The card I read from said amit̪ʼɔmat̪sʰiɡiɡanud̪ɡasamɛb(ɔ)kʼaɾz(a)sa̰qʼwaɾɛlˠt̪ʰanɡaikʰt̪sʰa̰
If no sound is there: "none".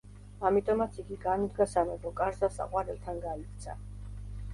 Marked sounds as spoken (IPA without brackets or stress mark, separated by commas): ɔ, a